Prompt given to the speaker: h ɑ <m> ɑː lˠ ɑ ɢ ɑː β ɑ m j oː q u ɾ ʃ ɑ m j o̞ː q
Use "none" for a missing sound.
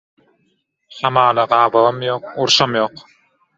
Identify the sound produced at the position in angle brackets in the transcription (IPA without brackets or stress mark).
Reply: m